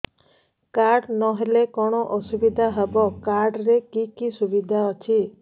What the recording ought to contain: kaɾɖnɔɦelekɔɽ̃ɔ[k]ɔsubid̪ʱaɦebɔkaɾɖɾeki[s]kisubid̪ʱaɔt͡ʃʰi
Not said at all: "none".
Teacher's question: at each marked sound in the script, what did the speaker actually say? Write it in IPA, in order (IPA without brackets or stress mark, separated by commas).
ʔ, none